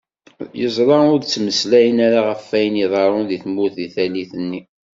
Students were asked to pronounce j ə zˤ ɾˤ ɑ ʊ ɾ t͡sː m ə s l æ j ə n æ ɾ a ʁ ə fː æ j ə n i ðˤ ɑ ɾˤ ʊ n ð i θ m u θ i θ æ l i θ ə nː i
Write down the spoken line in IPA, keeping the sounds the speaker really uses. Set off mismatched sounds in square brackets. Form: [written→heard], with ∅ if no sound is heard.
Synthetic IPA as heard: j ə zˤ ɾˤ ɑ ʊ ɾ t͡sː m ə s l æ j ə n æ ɾ a ʁ ə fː æ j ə n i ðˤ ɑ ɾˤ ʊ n ð i θ m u θ i θ æ l i θ ə nː i